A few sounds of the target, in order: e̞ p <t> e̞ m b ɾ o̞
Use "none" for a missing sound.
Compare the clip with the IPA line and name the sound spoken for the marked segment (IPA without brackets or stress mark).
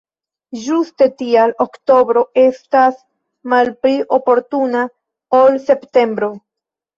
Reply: t